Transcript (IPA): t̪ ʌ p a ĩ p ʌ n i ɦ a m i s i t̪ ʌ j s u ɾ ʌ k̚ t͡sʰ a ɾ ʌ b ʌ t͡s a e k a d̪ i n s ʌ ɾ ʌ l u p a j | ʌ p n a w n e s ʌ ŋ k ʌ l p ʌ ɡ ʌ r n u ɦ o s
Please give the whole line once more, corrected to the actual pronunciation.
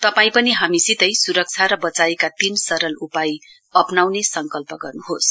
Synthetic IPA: t̪ ʌ p a ĩ p ʌ n i ɦ a m i s i t̪ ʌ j s u ɾ ʌ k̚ t͡sʰ a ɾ ʌ b ʌ t͡s a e k a t̪ i n s ʌ ɾ ʌ l u p a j | ʌ p n a w n e s ʌ ŋ k ʌ l p ʌ ɡ ʌ r n u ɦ o s